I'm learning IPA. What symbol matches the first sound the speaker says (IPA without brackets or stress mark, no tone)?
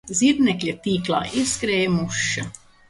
z